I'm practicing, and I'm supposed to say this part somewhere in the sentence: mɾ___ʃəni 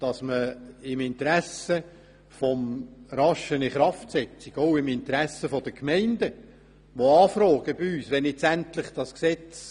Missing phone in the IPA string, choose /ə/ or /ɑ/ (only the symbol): ɑ